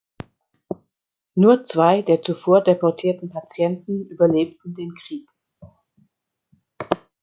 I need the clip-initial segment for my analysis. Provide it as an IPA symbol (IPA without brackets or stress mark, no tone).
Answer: n